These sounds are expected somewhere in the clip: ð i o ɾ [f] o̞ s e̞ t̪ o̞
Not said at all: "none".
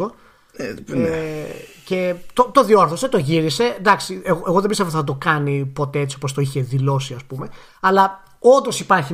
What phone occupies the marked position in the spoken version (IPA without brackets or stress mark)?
θ